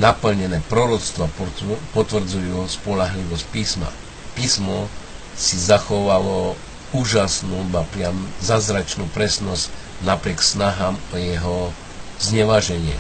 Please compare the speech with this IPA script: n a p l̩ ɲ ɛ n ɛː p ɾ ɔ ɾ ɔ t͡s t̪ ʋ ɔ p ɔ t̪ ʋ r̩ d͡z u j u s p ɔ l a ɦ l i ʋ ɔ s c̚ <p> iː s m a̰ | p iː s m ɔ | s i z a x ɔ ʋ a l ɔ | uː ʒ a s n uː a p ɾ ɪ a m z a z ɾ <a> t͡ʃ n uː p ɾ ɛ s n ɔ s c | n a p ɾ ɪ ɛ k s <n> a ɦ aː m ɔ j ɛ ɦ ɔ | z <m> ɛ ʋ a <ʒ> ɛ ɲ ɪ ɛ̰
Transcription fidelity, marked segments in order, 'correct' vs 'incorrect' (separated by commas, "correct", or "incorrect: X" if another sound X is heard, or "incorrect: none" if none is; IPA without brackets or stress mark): correct, correct, correct, incorrect: ɲ, correct